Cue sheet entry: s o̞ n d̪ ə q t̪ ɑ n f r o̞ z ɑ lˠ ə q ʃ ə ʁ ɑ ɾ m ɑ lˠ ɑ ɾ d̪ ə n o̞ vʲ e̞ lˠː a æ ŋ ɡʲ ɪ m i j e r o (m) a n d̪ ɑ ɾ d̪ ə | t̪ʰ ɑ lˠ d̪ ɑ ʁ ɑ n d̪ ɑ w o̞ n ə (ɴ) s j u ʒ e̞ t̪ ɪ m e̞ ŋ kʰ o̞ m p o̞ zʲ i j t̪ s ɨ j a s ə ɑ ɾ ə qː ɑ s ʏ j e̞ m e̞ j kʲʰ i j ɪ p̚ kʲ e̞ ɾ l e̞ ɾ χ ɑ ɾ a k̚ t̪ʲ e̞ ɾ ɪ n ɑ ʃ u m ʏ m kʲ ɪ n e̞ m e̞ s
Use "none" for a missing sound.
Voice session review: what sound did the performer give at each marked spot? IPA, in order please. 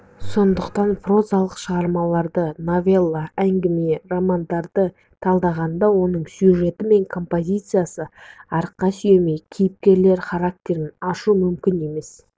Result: m, ɴ

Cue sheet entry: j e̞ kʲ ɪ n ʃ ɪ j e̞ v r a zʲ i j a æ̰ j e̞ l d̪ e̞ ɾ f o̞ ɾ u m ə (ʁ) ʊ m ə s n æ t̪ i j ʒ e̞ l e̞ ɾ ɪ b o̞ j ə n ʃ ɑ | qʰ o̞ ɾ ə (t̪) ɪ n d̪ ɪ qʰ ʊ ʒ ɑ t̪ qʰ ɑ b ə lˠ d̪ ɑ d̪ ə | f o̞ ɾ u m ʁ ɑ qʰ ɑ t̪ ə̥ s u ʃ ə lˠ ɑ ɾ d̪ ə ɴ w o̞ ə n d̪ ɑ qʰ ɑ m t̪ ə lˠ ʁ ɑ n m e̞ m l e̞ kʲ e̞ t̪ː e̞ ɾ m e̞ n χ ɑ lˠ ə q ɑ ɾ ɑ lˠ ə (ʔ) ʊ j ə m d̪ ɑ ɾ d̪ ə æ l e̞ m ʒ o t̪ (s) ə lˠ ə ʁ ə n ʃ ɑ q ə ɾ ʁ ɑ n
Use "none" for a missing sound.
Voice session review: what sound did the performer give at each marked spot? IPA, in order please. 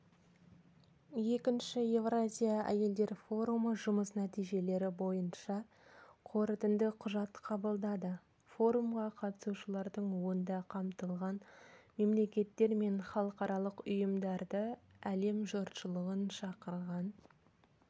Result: ʒ, t̪, q, ʃ

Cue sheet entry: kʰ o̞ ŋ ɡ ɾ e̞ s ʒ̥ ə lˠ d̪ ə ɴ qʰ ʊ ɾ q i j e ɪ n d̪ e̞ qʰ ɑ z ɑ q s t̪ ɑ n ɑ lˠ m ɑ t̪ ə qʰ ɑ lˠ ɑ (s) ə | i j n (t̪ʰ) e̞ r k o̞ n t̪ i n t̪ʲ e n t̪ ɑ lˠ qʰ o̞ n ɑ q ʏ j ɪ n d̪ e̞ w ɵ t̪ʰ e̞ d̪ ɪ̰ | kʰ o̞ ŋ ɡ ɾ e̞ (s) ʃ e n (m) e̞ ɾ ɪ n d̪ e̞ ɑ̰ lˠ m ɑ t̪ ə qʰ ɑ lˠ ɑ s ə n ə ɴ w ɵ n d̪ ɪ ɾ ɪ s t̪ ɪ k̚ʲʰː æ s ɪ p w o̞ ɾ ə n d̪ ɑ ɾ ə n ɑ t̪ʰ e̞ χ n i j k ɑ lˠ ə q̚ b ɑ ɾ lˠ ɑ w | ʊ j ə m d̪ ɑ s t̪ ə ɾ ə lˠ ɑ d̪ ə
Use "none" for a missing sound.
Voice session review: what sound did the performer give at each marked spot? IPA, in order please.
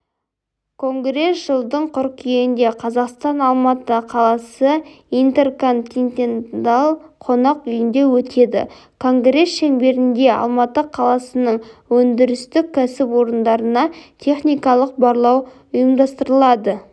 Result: s, t̪, s, b

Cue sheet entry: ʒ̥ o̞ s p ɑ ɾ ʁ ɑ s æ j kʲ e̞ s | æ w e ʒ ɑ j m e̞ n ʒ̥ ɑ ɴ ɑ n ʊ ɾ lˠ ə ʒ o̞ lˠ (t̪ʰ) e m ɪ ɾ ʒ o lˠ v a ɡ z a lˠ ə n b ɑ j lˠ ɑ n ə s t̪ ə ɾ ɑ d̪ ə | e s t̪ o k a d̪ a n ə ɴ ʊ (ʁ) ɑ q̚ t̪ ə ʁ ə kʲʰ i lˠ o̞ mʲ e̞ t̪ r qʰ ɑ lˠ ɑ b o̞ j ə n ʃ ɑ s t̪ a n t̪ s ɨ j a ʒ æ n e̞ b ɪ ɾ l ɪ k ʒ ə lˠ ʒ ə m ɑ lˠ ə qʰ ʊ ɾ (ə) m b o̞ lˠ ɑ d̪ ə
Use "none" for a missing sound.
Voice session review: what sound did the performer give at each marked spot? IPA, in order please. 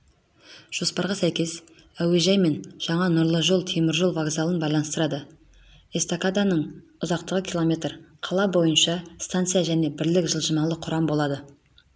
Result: t̪ʰ, z, ɑ

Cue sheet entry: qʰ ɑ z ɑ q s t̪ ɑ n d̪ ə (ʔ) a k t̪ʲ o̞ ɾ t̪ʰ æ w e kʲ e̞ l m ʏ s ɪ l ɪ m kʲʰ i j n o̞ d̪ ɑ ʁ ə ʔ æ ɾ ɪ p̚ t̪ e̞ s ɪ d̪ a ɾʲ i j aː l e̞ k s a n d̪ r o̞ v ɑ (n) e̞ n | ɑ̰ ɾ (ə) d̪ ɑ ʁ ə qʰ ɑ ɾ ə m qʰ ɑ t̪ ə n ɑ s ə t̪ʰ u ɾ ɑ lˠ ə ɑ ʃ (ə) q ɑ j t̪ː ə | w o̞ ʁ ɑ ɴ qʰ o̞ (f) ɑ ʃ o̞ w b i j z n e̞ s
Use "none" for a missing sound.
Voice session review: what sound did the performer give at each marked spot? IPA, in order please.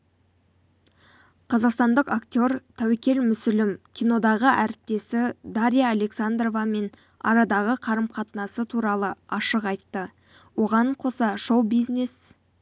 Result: q, m, ɑ, ə, s

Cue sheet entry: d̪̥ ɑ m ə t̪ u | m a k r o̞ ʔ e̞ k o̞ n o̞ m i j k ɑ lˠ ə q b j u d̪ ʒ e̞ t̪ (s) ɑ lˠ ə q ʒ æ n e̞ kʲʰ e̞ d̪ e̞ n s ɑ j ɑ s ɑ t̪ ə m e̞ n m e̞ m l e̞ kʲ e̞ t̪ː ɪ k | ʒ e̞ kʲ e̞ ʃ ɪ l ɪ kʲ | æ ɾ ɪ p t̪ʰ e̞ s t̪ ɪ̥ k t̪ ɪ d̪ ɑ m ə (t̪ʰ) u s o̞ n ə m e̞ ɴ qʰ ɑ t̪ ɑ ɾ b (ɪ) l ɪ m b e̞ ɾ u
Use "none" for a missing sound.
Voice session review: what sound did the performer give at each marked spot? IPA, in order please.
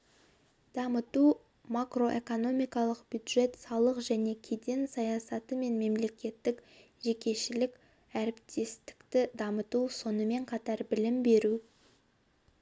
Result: s, t̪, ɪ

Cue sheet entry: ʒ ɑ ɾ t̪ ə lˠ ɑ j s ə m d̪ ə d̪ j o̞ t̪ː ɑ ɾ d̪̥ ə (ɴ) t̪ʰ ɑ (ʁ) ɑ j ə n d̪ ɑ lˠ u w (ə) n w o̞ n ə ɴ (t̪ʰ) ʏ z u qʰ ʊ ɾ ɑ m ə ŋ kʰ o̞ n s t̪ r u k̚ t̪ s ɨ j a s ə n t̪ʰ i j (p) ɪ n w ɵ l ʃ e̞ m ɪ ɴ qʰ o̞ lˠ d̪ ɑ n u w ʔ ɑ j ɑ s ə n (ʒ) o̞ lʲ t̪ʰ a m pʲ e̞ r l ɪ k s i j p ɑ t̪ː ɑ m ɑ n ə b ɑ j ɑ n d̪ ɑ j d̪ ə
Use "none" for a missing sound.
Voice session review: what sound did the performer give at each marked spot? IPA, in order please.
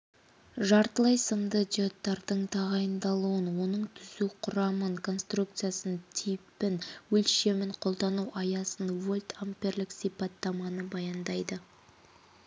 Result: ɴ, ʁ, ə, t̪ʰ, p, v

